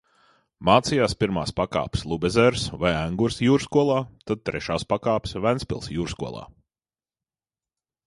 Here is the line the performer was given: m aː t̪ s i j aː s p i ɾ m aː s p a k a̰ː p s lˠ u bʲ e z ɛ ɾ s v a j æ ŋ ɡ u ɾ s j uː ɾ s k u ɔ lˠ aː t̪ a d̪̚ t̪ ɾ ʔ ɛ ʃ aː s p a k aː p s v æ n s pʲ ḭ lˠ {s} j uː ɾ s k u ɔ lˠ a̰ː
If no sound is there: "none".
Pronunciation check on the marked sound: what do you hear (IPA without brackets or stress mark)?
s